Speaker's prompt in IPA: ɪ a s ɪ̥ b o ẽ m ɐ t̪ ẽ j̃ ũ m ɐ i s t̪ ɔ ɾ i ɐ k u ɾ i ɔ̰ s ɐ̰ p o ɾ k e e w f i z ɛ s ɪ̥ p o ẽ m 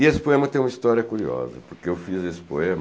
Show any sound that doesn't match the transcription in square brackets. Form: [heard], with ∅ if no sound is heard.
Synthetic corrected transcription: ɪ [e] s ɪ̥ [p] o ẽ m ɐ t̪ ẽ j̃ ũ m ɐ i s t̪ ɔ ɾ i ɐ k u ɾ i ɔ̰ [z] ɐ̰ p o ɾ k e e w f i z [e] s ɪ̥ p o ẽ m